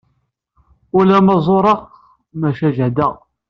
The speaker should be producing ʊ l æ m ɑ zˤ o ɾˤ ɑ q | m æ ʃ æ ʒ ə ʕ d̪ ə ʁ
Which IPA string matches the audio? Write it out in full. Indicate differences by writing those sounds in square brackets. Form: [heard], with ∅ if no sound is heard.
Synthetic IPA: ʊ l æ m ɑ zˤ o ɾˤ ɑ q | m æ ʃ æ ʒ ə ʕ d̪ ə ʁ

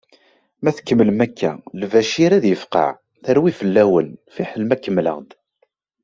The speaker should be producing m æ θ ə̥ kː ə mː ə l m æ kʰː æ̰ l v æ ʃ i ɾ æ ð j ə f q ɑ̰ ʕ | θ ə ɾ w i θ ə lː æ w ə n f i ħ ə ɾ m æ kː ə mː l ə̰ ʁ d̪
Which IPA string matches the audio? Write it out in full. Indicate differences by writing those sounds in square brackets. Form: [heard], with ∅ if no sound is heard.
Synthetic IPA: m æ θ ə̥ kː ə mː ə l m æ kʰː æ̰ l v æ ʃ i ɾ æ ð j ə f q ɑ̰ ʕ | θ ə ɾ w i [f] ə lː æ w ə n f i ħ ə [l] m æ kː ə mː l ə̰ ʁ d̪

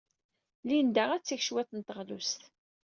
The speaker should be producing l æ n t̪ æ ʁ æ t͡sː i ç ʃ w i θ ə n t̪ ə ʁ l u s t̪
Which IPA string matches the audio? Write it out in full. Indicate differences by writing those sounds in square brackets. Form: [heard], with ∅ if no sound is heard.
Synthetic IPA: l [i] n [d̪] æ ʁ æ t͡sː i ç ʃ w [æ] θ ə n t̪ ə ʁ l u s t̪

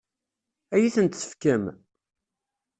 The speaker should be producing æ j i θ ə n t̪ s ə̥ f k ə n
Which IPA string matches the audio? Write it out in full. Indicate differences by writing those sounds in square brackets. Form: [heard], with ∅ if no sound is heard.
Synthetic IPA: æ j i θ ə n t̪ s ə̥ f k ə [m]

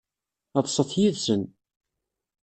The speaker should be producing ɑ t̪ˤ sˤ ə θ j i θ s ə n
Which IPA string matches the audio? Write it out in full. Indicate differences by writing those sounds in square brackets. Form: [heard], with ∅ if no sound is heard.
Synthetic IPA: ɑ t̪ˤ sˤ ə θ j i [ð] s ə n

